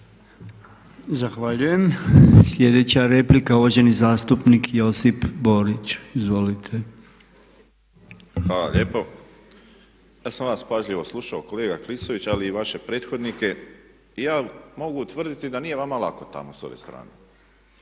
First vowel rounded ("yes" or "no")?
no